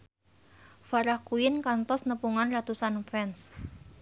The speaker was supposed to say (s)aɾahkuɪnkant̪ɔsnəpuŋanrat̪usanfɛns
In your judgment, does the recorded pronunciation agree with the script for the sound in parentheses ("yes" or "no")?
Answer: no